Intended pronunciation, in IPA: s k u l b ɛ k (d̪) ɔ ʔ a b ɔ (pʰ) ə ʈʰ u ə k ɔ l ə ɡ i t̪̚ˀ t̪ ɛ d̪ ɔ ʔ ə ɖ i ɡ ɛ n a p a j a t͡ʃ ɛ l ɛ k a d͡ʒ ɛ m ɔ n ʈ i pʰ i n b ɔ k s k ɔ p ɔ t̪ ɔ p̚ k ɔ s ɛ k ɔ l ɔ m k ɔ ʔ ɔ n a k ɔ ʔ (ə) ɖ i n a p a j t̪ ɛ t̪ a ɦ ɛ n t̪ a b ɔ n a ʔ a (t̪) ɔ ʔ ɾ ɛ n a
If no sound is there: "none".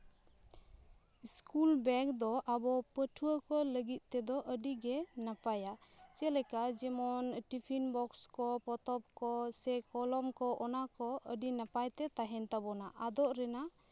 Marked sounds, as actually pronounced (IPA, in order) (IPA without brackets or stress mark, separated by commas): d̪, p, ə, d̪